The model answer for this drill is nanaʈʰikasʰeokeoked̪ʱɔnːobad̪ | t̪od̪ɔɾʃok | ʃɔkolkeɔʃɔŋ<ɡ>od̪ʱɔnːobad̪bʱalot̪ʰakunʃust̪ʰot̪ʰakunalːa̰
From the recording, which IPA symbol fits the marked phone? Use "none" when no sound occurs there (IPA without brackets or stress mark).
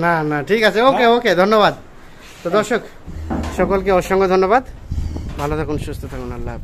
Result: ɡ